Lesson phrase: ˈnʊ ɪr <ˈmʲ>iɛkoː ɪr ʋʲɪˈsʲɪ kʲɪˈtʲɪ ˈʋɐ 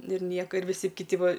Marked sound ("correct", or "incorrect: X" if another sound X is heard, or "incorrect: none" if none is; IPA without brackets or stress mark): incorrect: nʲ